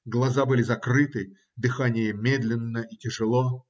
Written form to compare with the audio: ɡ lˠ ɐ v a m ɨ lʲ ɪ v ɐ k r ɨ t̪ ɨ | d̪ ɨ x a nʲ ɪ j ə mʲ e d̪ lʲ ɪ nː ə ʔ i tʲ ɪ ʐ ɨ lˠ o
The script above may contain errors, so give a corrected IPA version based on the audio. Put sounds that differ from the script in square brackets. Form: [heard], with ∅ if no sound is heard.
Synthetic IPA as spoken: ɡ lˠ ɐ [z] a [b] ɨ lʲ ɪ [z] ɐ k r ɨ t̪ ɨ | d̪ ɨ x a nʲ ɪ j ə mʲ e d̪ lʲ ɪ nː ə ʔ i tʲ ɪ ʐ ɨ lˠ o